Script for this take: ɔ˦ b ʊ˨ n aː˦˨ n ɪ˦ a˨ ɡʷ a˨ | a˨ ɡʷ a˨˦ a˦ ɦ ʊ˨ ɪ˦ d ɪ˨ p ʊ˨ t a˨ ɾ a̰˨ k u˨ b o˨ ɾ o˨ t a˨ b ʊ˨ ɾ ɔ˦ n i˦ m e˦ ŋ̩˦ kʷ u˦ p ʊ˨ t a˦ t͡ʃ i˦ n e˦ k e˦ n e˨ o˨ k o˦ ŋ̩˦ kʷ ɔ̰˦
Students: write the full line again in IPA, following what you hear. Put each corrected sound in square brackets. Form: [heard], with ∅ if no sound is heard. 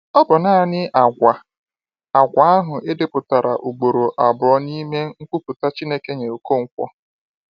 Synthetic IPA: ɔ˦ b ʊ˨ n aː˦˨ n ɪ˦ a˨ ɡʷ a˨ | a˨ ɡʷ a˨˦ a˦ ɦ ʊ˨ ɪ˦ d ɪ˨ p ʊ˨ t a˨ ɾ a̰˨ [ʔ] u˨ [ɡ͡b] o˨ ɾ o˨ [ʔ] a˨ b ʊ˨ ɾ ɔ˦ n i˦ m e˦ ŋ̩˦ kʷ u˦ p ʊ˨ t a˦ t͡ʃ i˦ n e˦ k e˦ [ɲ] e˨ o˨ k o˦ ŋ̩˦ kʷ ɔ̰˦